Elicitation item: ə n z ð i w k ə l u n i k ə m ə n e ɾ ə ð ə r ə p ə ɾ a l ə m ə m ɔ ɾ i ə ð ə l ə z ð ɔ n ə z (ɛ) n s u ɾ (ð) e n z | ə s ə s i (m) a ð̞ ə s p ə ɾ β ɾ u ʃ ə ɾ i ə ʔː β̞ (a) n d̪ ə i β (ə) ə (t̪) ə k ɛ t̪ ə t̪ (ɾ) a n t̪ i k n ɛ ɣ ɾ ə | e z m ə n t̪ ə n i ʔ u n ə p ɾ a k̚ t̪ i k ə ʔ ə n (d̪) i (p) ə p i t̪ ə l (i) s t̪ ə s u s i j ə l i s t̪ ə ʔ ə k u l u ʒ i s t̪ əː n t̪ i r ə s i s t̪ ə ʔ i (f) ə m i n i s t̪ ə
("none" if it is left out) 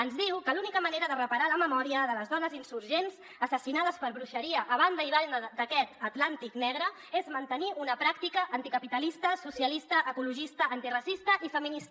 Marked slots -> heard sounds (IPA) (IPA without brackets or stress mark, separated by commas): i, ʒ, n, a, a, d̪, l, t̪, k, i, f